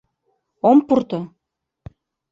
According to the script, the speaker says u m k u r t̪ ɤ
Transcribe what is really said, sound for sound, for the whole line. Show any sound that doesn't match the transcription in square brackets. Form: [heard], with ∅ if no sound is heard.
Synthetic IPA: [o] m [p] u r t̪ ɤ